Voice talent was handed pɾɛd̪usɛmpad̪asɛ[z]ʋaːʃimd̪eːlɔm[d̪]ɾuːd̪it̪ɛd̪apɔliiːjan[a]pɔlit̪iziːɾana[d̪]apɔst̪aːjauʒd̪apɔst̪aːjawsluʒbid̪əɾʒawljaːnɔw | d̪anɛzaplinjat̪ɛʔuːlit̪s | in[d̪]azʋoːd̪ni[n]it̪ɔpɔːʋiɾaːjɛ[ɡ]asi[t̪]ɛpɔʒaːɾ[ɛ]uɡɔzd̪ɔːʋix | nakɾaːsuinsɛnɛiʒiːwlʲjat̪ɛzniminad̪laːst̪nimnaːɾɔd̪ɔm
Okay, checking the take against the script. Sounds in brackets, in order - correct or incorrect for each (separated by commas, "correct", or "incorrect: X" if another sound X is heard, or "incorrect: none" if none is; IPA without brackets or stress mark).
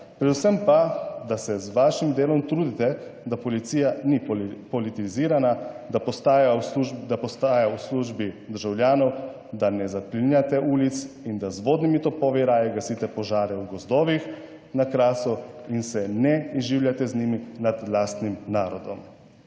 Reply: correct, incorrect: t̪, incorrect: i, correct, correct, incorrect: m, correct, correct, correct